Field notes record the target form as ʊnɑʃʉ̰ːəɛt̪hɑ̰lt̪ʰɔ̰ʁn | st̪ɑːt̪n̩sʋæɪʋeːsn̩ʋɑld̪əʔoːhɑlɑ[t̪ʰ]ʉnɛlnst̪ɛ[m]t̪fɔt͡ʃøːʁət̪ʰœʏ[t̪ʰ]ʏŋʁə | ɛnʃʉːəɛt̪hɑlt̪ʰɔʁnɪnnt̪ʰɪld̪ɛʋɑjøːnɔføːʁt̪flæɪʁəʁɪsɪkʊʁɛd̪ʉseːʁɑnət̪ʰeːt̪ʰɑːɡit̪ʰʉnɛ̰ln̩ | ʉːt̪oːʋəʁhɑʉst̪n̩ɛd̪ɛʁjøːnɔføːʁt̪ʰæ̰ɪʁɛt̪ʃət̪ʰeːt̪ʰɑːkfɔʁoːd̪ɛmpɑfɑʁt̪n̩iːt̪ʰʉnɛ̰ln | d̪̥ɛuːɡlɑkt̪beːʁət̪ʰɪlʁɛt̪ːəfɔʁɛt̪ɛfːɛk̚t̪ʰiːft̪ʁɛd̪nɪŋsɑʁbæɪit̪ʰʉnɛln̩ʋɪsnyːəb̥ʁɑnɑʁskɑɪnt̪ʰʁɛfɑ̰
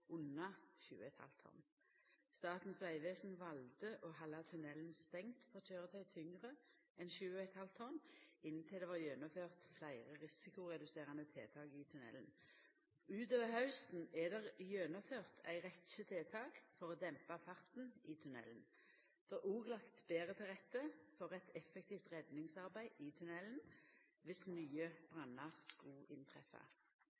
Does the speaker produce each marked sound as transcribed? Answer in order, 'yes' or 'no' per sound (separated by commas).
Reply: yes, no, yes